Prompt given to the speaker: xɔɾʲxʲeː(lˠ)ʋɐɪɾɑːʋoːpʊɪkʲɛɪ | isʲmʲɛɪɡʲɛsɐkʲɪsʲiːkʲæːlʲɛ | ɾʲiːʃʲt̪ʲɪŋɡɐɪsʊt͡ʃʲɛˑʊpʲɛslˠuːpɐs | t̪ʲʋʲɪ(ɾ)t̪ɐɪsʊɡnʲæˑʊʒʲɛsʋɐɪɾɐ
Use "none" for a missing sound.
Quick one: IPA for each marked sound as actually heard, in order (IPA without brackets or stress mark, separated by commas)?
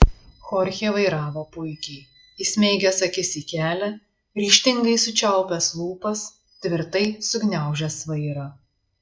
none, ɾ